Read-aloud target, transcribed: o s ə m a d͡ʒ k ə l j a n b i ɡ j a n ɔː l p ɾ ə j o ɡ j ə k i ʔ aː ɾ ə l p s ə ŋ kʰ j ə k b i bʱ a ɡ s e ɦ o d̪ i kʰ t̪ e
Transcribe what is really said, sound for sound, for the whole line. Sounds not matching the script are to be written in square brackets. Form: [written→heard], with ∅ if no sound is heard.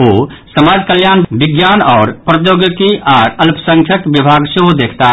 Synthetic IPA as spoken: o s ə m a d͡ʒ k ə l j a n b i ɡ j a n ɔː [l→ɾ] p ɾ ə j o ɡ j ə k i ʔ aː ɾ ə l p s ə ŋ kʰ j ə k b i bʱ a ɡ s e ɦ o d̪ [i→e] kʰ t̪ [e→a]